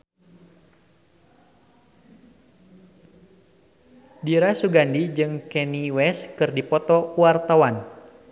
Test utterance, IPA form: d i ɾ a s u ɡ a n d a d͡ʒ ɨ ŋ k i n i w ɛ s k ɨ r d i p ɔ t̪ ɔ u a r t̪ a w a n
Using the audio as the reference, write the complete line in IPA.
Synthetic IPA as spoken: d i ɾ a s u ɡ a n d i d͡ʒ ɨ ŋ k ɛ n i w ɛ s k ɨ r d i p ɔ t̪ ɔ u a r t̪ a w a n